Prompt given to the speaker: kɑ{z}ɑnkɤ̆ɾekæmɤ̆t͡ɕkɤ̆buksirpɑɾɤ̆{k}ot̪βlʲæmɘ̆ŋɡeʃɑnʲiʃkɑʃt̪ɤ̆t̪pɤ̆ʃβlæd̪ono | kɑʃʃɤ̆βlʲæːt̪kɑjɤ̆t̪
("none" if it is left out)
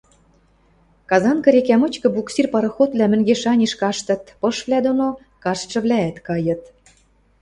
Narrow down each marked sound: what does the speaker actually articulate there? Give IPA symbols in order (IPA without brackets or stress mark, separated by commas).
z, x